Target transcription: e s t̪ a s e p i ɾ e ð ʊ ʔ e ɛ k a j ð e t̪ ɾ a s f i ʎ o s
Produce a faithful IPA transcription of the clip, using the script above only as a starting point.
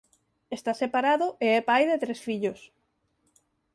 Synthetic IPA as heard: e s t̪ a s e p a ɾ a ð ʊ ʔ e ɛ p a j ð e t̪ ɾ e s f i ʎ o s

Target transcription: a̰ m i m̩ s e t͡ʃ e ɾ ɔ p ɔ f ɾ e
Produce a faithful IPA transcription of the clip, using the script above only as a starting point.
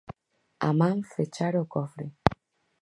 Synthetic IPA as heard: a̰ m a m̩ f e t͡ʃ a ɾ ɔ k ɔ f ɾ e

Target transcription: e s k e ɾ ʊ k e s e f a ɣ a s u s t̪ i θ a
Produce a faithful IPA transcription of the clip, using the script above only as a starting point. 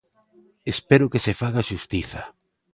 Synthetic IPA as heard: e s p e ɾ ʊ k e s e f a ɣ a ʃ u s t̪ i θ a

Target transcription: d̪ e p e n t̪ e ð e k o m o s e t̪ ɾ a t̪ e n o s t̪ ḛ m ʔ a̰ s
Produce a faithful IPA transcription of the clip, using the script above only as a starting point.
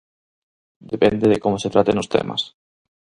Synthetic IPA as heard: d̪ e p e n d̪ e ð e k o m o s e t̪ ɾ a t̪ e n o s t̪ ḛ m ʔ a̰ s

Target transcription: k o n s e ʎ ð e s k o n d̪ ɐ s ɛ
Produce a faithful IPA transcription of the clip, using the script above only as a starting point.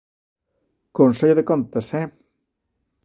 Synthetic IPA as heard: k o n s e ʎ ð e k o n t̪ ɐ s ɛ

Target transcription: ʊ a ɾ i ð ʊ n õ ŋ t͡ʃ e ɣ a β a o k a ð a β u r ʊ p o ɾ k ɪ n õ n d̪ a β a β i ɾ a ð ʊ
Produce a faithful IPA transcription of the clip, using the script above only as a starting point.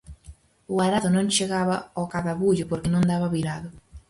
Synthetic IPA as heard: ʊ a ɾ a ð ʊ n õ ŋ t͡ʃ e ɣ a β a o k a ð a β u ʎ ʊ p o ɾ k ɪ n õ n d̪ a β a β i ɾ a ð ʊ

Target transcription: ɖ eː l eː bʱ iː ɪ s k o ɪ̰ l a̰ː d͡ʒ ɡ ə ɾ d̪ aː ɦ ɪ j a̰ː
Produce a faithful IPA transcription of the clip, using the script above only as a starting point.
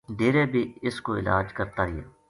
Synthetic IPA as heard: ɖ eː ɾ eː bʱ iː ɪ s k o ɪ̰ l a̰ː d͡ʒ k ə ɾ t̪ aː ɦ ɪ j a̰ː

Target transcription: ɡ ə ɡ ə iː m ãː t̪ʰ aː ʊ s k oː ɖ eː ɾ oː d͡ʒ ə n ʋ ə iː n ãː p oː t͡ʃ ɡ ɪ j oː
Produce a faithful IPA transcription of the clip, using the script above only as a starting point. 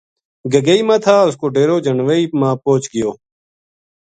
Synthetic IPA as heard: ɡ ə ɡ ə iː m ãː t̪ʰ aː ʊ s k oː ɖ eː ɾ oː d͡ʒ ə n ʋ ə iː m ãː p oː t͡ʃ ɡ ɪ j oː

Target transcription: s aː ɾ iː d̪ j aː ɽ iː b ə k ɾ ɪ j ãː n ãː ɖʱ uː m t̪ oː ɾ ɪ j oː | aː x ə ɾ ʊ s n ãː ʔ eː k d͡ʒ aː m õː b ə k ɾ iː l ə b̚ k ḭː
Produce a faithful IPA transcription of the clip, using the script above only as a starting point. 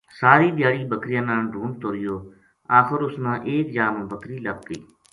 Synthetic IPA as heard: s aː ɾ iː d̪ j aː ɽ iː b ə k ɾ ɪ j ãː n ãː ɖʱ uː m t̪ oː ɾ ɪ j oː | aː x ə ɾ ʊ s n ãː ʔ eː k d͡ʒ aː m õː b ə k ɾ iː l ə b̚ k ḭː

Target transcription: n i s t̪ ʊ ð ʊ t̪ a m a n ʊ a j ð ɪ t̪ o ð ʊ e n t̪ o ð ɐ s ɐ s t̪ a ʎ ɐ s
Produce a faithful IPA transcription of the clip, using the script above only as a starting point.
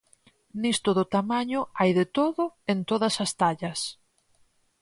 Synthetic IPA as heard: n i s t̪ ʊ ð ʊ t̪ a m a ɲ ʊ a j ð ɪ t̪ o ð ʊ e n t̪ o ð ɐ s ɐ s t̪ a ʎ ɐ s

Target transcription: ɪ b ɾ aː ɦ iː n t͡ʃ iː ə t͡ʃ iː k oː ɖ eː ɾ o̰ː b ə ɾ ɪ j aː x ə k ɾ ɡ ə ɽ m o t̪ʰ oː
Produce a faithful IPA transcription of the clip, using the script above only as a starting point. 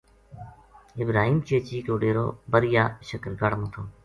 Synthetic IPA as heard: ɪ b ɾ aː ɦ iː m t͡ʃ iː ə t͡ʃ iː k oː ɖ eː ɾ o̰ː b ə ɾ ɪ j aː ʃ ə k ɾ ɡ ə ɽ m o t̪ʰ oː

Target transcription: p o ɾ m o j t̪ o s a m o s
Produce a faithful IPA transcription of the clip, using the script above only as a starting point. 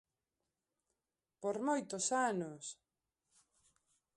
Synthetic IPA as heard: p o ɾ m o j t̪ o s a n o s

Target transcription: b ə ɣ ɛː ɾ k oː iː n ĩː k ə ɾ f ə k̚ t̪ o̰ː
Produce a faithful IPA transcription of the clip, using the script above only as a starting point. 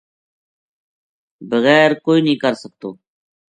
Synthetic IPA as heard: b ə ɣ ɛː ɾ k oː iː n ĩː k ə ɾ s ə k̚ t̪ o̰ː

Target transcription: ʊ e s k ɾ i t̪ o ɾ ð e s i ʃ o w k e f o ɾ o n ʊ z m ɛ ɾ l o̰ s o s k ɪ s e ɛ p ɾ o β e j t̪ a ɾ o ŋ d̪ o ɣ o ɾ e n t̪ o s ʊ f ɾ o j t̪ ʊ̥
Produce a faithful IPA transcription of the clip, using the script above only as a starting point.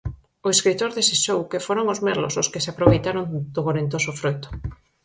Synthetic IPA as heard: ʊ e s k ɾ i t̪ o ɾ ð e s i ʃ o w k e f o ɾ o ŋ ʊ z m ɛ ɾ l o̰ s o s k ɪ s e a p ɾ o β e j t̪ a ɾ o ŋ d̪ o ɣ o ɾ e n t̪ o s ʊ f ɾ o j t̪ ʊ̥

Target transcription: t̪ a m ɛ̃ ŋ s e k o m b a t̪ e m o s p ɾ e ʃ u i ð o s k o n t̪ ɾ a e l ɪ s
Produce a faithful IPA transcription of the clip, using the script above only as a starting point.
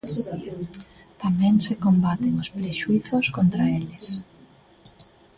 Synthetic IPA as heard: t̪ a m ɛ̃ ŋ s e k o m b a t̪ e ŋ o s p ɾ e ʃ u i θ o s k o n t̪ ɾ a e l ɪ s

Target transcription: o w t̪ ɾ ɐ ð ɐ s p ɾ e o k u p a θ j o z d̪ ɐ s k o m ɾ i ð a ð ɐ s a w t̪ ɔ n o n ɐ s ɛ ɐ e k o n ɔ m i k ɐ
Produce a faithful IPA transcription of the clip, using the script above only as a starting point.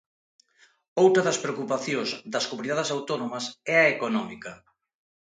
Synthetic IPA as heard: o w t̪ ɾ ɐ ð ɐ s p ɾ e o k u p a θ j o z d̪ ɐ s k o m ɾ i ð a ð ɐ s a w t̪ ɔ n o m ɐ s ɛ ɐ e k o n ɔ m i k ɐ

